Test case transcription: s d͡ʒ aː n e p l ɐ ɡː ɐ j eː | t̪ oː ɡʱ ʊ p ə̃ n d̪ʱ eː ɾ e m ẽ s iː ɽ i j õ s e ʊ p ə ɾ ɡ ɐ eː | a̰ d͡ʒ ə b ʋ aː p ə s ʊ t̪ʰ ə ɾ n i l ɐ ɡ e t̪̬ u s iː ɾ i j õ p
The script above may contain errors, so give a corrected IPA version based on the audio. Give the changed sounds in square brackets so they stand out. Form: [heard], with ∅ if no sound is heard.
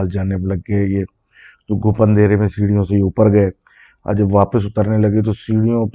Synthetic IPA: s d͡ʒ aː n e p l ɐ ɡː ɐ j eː | t̪ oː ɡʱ ʊ p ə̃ n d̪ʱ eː ɾ e m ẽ s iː ɽ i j õ s e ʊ p ə ɾ ɡ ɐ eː | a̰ d͡ʒ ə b ʋ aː p ə s ʊ [t̪] ə ɾ n [e] l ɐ ɡ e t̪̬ [o] s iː [ɽ] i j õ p